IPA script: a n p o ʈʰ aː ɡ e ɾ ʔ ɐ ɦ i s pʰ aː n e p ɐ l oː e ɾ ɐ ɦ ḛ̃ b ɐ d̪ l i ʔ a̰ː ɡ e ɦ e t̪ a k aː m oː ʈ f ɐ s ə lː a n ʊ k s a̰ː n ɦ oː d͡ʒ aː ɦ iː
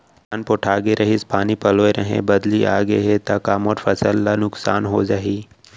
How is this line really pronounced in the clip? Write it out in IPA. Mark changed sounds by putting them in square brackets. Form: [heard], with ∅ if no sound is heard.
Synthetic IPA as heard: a n p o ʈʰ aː ɡ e ɾ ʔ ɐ ɦ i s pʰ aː n [i] p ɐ l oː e ɾ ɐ ɦ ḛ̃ b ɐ d̪ l i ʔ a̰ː ɡ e ɦ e t̪ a k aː m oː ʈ f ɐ s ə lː a n ʊ k s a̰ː n ɦ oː d͡ʒ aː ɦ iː